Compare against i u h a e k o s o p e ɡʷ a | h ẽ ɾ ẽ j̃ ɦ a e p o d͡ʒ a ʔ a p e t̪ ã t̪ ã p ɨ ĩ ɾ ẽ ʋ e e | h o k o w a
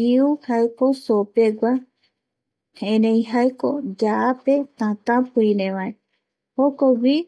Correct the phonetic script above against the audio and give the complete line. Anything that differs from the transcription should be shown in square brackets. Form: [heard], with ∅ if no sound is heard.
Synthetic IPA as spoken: i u h a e k o s o p e ɡʷ a | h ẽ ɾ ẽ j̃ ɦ a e [k] o d͡ʒ a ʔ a p e t̪ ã t̪ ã p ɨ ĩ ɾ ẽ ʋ [a] e | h o k o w [i]